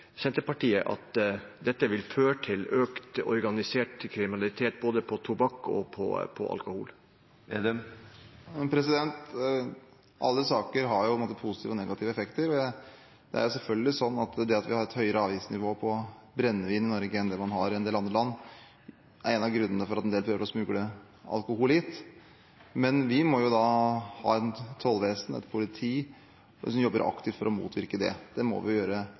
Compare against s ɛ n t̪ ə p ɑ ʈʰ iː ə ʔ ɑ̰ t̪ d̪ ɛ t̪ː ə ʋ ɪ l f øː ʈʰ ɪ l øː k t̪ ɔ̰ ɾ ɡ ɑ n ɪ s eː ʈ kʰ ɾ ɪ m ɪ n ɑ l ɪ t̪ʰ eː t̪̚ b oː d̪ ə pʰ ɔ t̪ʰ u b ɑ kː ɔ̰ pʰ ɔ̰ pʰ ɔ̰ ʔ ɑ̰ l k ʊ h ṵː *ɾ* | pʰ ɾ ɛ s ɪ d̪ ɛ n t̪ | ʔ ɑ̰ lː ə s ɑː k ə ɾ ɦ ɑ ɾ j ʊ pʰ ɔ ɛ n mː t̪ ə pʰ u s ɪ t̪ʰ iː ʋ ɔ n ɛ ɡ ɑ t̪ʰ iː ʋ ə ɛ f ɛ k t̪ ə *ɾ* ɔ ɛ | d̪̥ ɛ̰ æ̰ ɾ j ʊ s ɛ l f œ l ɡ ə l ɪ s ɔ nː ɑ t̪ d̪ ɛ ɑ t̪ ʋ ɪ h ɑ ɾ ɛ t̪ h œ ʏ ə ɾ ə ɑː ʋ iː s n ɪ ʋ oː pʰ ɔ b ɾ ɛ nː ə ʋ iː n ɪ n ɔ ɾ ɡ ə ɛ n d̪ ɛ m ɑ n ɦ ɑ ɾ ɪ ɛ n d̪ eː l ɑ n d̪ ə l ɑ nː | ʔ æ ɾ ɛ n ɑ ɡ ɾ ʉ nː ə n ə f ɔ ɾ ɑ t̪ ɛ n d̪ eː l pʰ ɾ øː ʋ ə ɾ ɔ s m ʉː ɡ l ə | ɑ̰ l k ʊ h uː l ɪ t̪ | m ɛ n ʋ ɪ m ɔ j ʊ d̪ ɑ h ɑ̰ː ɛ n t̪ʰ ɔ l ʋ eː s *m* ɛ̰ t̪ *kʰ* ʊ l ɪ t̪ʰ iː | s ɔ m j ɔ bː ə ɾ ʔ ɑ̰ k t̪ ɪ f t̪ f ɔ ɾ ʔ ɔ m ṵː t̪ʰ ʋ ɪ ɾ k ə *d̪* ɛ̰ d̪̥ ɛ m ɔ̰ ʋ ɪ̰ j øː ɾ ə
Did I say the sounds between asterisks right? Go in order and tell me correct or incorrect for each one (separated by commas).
incorrect, correct, incorrect, incorrect, correct